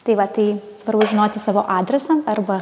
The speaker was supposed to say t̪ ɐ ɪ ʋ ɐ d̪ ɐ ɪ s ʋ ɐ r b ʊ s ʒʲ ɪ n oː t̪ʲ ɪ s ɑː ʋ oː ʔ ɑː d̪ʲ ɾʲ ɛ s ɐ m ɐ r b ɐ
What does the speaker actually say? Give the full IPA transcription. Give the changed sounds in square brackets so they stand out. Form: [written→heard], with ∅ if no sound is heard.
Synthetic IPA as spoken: t̪ ɐ ɪ ʋ ɐ [d̪→t̪] ɐ ɪ s ʋ ɐ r b ʊ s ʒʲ ɪ n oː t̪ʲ ɪ s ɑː ʋ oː ʔ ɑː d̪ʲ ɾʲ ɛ s ɐ m ɐ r b ɐ

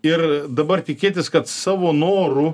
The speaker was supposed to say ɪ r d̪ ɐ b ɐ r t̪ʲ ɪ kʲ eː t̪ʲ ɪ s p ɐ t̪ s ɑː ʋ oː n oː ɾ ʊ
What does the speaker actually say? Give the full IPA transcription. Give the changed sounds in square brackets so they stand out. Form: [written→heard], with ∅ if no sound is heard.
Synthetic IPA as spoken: ɪ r d̪ ɐ b ɐ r t̪ʲ ɪ kʲ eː t̪ʲ ɪ s [p→k] ɐ t̪ s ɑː ʋ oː n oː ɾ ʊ

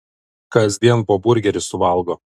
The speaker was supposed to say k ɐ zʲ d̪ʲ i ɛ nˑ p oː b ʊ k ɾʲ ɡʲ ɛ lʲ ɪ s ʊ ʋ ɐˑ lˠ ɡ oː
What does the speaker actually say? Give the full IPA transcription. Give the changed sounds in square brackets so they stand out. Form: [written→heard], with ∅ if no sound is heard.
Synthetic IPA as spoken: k ɐ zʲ d̪ʲ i ɛ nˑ p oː b ʊ [k→∅] ɾʲ ɡʲ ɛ [lʲ→ɾʲ] ɪ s ʊ ʋ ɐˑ lˠ ɡ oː

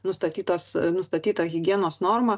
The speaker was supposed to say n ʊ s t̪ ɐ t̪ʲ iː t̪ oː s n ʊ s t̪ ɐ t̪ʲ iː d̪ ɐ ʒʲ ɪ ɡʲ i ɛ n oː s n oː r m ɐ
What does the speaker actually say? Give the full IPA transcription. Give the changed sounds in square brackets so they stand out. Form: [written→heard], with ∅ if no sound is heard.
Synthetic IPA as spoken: n ʊ s t̪ ɐ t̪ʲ iː t̪ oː s n ʊ s t̪ ɐ t̪ʲ iː [d̪→t̪] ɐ [ʒʲ→ɣʲ] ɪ ɡʲ i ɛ n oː s n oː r m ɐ

